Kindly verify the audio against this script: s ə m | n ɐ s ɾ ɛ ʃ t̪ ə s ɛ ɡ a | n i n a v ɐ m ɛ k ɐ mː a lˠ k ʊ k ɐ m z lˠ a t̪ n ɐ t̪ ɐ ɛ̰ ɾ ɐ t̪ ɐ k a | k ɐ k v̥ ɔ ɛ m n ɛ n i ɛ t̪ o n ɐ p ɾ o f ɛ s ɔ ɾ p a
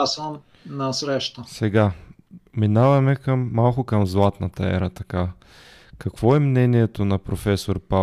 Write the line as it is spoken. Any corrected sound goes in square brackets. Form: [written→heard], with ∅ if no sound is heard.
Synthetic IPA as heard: s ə m | n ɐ s ɾ ɛ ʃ t̪ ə s ɛ ɡ a | [n→m] i n a v ɐ m ɛ k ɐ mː a lˠ k ʊ k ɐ m z lˠ a t̪ n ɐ t̪ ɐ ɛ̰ ɾ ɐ t̪ ɐ k a | k ɐ k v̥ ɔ ɛ m n ɛ n i ɛ t̪ o n ɐ p ɾ o f ɛ s [ɔ→o] ɾ p a